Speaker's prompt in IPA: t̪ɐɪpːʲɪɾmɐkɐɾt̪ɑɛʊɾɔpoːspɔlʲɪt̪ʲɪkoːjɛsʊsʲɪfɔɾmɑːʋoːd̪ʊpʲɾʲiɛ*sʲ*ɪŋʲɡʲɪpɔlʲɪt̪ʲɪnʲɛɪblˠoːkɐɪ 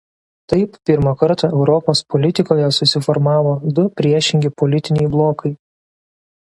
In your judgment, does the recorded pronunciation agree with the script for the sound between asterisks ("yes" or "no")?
no